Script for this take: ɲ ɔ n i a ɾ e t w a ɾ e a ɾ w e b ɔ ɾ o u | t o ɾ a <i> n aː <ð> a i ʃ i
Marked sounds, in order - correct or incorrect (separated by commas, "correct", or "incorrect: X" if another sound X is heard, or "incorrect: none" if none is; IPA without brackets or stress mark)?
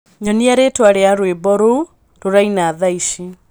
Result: correct, correct